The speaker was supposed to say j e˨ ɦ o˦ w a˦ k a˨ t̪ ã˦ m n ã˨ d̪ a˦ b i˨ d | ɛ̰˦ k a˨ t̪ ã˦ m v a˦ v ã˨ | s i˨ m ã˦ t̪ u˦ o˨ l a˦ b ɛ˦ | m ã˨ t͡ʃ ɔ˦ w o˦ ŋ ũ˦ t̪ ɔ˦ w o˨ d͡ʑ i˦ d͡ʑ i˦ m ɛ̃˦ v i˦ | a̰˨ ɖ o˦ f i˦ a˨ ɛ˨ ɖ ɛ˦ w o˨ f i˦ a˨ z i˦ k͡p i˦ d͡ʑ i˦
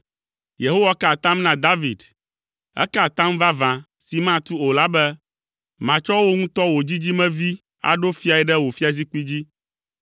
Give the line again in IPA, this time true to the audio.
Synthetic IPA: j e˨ ɦ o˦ w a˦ k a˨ t̪ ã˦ m n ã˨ d̪ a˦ v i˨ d | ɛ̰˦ k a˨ t̪ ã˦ m v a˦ v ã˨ | s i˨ m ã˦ t̪ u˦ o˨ l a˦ b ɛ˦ | m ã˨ t͡ʃ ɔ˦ w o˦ ŋ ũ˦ t̪ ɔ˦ w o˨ d͡ʑ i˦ d͡ʑ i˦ m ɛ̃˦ v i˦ | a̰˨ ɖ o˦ f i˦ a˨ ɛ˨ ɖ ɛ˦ w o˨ f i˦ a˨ z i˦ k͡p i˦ d͡ʑ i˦